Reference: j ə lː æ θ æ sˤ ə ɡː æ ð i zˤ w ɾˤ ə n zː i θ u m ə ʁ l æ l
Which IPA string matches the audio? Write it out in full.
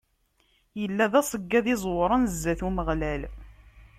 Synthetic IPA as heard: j ə lː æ ð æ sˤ ə ɡː æ ð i zˤ w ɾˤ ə n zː æ θ u m ə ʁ l æ l